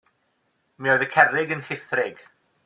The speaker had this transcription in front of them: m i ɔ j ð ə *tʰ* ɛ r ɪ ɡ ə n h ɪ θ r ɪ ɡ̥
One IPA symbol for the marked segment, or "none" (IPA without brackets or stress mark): kʰ